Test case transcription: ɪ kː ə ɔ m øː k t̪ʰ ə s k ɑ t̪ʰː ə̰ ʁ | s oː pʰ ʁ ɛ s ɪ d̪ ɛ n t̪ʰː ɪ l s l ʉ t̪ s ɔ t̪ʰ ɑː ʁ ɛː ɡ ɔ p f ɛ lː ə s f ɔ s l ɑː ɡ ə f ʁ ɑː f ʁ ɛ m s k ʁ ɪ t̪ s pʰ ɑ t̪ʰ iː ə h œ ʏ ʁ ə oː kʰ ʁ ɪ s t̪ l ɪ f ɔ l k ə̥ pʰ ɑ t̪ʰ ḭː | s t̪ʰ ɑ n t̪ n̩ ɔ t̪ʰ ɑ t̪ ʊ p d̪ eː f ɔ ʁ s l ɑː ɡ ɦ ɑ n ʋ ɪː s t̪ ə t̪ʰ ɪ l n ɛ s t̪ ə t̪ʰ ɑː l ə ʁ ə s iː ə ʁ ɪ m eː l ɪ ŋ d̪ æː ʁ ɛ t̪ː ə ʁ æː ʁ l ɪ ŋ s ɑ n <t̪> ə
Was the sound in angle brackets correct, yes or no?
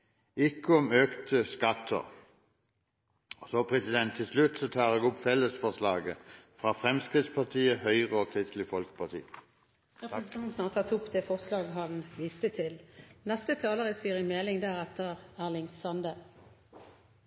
no